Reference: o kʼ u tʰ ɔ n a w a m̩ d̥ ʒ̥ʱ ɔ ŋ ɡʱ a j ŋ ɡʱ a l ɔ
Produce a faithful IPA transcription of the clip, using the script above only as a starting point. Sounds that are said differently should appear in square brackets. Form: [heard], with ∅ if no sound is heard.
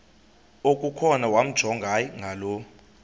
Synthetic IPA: o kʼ u [kʰ] ɔ n a w a m̩ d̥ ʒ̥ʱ ɔ ŋ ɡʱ a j ŋ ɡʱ a l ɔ